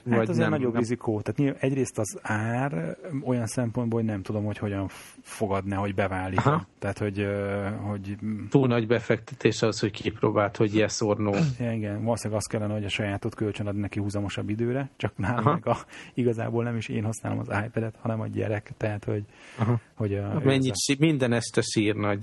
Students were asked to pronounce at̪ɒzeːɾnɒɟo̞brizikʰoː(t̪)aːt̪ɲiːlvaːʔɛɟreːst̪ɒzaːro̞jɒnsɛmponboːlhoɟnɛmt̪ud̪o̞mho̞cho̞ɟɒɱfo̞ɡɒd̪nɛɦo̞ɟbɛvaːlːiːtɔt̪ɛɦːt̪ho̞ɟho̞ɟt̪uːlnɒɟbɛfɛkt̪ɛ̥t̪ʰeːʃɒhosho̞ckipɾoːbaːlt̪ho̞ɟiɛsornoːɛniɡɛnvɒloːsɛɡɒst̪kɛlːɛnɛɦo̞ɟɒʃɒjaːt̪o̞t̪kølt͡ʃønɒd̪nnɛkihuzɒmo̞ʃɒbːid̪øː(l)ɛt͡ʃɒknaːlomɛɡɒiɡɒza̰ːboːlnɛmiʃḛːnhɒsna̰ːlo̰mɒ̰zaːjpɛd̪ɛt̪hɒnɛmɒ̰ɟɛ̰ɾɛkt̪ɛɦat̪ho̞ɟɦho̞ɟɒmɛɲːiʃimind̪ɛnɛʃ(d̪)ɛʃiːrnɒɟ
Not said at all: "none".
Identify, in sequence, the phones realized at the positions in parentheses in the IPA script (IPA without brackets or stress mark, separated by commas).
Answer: t̪, ɾ, t̪